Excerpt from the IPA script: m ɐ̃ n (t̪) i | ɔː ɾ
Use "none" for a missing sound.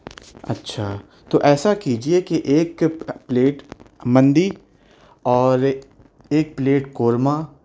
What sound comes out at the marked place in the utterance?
d̪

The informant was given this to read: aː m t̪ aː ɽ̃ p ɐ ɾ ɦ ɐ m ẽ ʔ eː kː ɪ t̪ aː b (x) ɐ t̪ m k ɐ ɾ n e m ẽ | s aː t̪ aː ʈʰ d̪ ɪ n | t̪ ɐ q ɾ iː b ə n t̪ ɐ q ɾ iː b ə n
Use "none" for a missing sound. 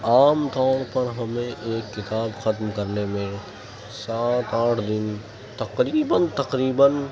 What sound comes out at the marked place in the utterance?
x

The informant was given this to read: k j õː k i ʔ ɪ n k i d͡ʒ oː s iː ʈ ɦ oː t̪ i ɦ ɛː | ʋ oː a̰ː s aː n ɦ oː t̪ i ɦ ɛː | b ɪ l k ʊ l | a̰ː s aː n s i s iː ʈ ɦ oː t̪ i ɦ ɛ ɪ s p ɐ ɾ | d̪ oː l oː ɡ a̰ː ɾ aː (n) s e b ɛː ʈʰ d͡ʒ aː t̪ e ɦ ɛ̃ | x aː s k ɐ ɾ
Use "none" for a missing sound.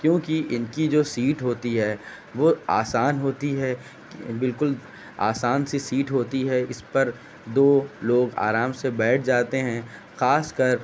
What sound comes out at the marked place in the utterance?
m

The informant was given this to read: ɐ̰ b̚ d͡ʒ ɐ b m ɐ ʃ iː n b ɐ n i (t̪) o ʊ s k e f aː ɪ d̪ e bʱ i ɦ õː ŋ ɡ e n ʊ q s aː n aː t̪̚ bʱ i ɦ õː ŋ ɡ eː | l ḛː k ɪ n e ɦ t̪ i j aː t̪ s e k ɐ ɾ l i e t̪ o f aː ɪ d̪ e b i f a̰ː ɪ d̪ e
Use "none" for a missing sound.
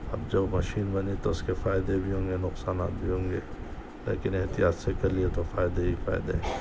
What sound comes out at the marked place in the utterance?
t̪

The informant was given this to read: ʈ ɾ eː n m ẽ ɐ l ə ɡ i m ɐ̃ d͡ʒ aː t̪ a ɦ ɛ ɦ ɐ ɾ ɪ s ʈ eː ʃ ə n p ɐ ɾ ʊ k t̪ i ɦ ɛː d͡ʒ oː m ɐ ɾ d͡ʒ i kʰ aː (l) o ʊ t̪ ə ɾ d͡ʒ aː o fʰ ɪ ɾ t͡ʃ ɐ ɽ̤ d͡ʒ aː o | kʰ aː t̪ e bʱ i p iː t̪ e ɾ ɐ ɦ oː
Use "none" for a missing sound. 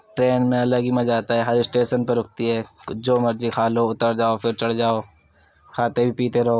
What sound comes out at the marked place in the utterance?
l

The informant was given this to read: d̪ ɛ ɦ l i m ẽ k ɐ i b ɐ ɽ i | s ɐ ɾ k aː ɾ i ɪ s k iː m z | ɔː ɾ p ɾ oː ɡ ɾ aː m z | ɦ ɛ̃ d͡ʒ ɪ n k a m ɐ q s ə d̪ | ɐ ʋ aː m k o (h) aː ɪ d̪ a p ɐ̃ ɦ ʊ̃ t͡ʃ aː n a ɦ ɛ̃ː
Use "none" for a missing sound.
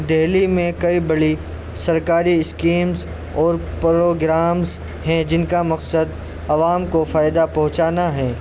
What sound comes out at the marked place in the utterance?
f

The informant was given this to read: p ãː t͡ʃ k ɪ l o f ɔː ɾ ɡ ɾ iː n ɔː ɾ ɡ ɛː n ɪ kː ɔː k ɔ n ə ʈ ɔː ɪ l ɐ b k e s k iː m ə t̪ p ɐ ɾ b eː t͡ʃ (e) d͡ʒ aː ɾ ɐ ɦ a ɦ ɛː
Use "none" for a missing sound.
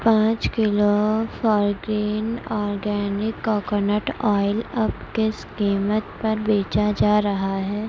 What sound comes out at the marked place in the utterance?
a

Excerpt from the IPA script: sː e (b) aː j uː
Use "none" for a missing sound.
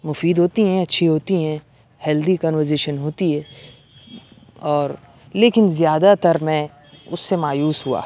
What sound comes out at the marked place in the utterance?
m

